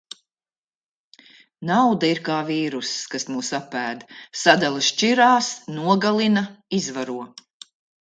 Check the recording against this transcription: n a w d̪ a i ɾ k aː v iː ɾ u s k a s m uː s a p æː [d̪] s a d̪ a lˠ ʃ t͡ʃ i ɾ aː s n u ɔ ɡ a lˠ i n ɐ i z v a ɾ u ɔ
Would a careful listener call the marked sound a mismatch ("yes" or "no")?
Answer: no